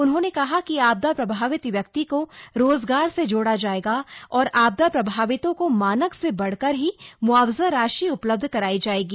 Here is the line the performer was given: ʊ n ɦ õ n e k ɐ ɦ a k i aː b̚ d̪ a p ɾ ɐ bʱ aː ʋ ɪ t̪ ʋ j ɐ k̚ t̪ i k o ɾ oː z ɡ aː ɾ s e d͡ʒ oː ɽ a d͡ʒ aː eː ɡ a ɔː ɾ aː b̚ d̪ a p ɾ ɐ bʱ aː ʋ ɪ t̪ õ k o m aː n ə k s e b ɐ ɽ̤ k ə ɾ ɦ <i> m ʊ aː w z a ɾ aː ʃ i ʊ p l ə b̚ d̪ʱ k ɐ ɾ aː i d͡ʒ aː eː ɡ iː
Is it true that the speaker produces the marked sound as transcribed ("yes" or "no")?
yes